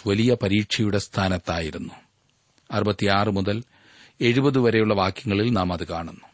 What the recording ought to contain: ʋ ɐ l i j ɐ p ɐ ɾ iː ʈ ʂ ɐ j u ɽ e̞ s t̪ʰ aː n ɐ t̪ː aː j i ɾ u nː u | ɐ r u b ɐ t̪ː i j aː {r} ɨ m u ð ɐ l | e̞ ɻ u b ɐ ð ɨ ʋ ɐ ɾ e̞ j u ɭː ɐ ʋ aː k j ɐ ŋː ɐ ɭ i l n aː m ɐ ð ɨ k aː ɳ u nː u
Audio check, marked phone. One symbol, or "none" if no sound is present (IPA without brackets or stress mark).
r